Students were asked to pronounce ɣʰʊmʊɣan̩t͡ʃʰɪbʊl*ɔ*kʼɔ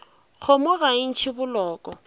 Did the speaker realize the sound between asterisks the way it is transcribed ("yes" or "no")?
no